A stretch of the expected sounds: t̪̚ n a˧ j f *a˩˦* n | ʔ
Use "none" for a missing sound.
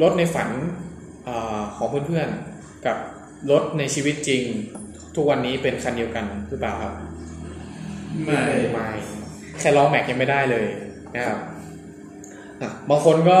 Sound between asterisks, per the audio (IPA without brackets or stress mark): a˩˦